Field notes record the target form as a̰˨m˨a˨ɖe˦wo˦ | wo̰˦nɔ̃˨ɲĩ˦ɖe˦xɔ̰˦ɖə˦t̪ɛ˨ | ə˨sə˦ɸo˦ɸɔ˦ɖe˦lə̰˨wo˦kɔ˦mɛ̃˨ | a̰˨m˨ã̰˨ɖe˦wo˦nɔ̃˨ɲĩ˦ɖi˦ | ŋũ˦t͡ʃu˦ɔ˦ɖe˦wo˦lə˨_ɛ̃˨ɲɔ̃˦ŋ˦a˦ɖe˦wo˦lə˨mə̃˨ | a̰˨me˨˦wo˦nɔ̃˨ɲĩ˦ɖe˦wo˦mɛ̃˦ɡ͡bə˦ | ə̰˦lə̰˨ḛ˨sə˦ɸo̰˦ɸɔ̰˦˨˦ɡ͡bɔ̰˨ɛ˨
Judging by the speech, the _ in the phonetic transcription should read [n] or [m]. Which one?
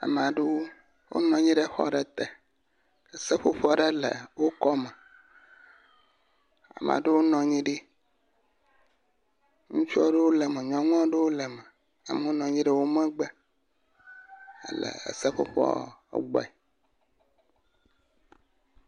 m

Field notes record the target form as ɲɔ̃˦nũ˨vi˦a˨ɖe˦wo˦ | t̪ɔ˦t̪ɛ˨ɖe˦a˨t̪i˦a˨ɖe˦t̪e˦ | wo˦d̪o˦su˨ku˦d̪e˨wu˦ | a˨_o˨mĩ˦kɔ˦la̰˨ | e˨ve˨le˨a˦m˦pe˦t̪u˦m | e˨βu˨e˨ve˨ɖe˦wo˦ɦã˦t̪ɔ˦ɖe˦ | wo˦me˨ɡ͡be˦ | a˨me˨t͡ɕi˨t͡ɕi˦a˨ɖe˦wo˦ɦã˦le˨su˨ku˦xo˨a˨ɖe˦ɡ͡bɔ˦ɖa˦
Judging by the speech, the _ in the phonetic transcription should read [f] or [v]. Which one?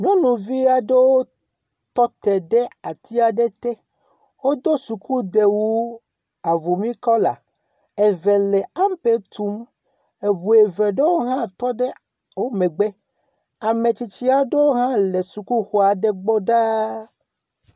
v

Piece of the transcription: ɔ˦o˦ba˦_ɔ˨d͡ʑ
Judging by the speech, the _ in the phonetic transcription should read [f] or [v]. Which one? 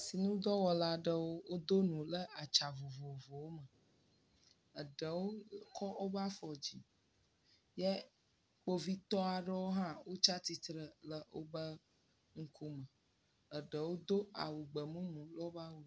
f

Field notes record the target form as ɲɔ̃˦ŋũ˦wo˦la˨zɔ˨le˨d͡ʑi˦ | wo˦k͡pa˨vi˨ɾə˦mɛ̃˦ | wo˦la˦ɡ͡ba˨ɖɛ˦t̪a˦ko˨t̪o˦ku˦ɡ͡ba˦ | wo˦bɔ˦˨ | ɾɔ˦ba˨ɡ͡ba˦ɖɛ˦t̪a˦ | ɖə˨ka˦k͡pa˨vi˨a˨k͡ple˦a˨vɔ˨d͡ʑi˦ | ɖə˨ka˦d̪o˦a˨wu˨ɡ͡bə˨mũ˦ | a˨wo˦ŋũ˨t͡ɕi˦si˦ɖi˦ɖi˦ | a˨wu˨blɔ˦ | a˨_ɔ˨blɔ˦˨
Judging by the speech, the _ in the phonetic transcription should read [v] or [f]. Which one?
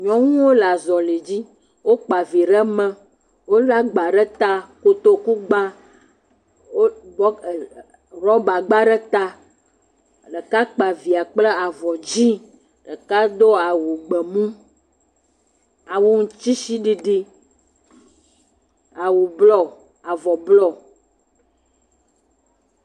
v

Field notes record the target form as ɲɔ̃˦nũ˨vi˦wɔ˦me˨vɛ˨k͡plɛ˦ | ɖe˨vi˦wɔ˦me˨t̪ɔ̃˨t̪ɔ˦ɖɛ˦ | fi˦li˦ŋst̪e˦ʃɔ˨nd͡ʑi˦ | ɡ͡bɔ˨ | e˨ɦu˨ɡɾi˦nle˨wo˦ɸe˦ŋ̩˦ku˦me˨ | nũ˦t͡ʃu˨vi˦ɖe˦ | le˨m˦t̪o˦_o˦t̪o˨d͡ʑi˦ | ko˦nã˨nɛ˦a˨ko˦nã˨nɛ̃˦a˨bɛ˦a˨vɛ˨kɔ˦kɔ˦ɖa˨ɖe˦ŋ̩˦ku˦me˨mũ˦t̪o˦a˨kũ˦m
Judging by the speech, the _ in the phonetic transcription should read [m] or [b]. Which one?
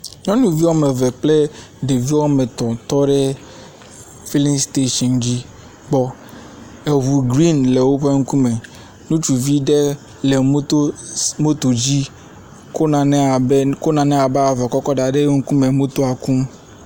m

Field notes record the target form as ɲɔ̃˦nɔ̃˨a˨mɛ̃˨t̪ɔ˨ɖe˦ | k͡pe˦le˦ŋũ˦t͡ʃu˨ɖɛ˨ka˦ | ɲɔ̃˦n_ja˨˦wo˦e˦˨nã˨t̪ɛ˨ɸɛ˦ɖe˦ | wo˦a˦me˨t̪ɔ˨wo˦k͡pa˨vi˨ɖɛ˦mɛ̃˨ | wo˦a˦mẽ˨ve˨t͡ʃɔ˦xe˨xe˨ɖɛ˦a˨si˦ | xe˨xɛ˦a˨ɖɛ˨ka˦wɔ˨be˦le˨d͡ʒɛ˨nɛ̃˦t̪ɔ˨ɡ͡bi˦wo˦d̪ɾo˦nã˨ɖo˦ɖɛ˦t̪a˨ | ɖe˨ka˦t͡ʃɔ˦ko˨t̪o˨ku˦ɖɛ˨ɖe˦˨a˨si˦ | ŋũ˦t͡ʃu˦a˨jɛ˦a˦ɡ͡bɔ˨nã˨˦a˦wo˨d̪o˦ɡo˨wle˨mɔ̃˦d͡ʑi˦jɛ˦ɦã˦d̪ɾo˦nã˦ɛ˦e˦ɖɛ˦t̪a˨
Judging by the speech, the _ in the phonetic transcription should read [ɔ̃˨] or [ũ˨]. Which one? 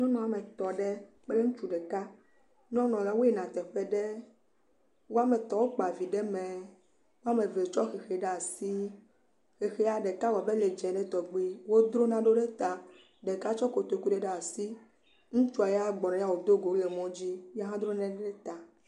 ɔ̃˨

